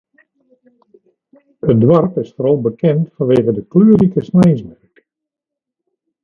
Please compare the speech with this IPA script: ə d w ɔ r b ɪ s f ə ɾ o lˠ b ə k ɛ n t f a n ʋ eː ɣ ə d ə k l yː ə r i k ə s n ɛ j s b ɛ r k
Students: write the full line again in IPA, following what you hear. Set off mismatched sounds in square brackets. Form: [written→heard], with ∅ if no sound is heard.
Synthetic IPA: ə d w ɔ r [b→p] ɪ s f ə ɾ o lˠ b ə k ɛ n t f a n ʋ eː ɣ ə d ə k l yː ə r i k ə s n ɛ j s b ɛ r k